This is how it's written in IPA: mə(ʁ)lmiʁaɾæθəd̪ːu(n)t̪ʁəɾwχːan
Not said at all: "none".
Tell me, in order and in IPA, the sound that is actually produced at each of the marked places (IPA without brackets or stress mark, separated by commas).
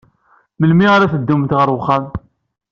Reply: none, m